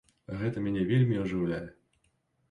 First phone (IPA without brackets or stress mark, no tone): ɣ